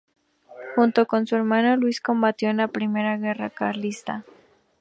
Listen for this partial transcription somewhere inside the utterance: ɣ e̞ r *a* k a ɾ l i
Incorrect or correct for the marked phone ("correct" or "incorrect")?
correct